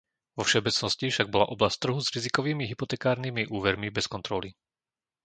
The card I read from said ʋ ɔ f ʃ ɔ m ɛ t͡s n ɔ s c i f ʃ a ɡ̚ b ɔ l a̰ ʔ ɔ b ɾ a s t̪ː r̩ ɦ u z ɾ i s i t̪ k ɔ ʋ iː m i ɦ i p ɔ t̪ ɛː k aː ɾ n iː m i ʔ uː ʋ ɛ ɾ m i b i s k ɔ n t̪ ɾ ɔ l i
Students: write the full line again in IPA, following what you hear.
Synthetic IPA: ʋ ɔ f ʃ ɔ b ɛ t͡s n ɔ s c i f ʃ a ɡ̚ b ɔ l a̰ ʔ ɔ b l a s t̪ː r̩ ɦ u z ɾ i z i k ɔ ʋ iː m i ɦ i p ɔ t̪ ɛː k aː ɾ n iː m i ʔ uː ʋ ɛ ɾ m i b ɛ s k ɔ n t̪ ɾ ɔ l i